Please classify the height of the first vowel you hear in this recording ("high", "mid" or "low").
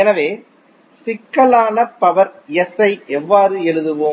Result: mid